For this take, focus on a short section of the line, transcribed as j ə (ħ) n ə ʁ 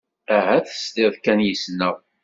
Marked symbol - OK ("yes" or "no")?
no